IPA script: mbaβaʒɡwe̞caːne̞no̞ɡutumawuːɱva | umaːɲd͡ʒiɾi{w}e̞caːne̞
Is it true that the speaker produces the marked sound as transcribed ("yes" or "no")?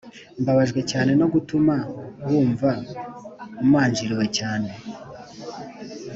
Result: yes